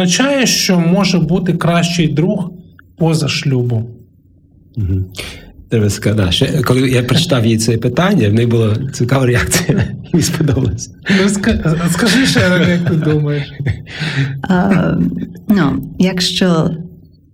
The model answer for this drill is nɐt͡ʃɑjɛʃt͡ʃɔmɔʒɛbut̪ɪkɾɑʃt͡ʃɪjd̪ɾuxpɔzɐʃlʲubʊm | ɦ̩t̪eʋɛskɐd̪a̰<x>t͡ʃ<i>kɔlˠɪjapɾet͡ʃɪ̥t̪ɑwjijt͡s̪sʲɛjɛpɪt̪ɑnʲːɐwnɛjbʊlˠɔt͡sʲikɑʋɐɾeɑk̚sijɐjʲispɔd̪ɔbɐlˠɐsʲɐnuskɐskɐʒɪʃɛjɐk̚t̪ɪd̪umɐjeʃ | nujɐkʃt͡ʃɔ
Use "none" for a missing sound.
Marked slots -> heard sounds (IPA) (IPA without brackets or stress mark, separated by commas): ʃ, ɛ